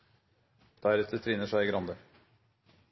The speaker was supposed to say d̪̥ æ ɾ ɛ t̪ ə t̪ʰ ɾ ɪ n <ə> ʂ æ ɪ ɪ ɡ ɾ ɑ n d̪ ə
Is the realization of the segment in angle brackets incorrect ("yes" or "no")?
no